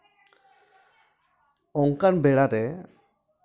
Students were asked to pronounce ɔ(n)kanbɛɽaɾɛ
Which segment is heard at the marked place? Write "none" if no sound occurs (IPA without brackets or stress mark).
ŋ